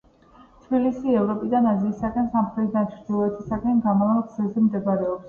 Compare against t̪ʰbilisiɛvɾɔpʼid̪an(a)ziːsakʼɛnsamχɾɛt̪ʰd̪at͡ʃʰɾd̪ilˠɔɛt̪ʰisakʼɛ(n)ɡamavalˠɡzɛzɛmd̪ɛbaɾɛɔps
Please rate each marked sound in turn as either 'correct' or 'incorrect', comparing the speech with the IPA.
correct, correct

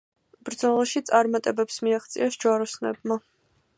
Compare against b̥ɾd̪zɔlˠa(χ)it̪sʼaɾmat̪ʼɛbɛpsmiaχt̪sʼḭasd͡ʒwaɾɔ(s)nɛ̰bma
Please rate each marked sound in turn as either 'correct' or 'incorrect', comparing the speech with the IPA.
incorrect: ʃ, correct

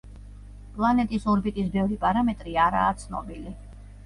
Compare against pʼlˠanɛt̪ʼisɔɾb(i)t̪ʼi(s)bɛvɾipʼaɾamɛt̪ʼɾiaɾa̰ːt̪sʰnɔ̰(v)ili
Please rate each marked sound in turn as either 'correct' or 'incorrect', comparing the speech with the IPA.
correct, correct, incorrect: b

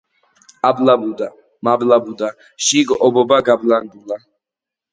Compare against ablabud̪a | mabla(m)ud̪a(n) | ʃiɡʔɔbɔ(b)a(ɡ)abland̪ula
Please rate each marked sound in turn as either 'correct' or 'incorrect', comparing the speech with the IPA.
incorrect: b, incorrect: none, correct, correct

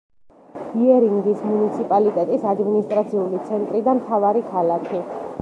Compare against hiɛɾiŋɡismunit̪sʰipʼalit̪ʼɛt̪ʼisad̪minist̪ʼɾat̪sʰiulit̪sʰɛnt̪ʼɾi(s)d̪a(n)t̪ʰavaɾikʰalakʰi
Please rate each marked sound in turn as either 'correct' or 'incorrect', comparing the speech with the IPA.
incorrect: none, incorrect: m

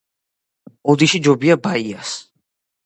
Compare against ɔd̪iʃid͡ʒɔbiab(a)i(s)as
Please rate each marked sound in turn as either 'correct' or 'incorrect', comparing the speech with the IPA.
correct, incorrect: none

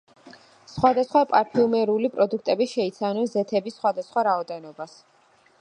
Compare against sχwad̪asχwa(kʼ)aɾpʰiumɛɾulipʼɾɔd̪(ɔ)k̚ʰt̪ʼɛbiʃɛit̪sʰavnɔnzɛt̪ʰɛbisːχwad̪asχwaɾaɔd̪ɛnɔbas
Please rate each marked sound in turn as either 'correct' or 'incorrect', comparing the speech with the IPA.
incorrect: pʼ, incorrect: u

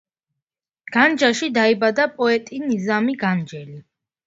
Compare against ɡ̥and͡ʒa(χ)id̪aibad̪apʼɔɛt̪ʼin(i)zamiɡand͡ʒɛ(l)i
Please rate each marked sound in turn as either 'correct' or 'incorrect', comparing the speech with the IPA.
incorrect: ʃ, correct, correct

